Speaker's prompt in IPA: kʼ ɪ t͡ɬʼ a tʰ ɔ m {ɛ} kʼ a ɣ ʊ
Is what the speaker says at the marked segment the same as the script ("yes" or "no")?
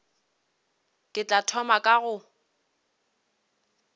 no